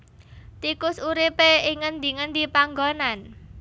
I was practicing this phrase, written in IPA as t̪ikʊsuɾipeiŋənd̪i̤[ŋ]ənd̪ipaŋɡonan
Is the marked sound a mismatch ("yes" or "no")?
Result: no